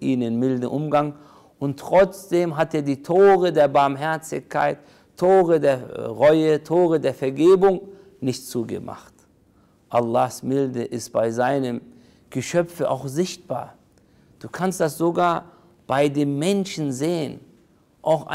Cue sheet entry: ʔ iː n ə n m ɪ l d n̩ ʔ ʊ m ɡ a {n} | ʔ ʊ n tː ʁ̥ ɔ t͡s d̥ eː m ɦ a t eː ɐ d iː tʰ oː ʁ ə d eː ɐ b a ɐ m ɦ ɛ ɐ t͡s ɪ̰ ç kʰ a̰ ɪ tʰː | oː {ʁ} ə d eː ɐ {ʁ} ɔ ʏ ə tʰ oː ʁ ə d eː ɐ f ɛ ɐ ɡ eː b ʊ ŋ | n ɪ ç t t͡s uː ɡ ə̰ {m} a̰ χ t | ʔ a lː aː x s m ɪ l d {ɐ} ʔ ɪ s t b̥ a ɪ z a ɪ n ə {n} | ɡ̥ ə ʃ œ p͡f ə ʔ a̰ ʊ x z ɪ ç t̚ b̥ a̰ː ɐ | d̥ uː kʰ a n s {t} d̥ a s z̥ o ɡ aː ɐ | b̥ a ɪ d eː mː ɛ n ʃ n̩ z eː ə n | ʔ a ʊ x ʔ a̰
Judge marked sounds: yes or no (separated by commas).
no, yes, yes, yes, no, no, yes